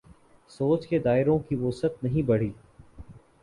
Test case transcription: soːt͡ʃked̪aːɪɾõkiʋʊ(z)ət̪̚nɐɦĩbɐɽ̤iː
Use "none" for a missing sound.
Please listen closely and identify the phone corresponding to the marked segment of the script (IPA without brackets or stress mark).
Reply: s